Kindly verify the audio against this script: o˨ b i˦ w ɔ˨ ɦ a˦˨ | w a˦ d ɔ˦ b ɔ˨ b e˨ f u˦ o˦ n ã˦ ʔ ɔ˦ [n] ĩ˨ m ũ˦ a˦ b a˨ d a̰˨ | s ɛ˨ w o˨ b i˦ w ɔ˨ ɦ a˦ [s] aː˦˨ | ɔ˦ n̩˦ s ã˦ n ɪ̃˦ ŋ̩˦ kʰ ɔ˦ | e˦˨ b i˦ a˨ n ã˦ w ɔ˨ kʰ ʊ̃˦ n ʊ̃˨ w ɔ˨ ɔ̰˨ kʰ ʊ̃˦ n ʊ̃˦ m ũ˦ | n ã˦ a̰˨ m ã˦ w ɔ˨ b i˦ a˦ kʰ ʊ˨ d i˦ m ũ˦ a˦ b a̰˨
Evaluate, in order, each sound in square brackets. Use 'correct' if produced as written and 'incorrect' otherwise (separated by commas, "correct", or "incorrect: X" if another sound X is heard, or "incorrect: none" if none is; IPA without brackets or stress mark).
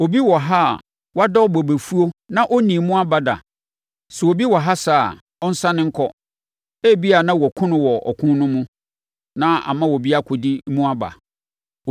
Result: correct, correct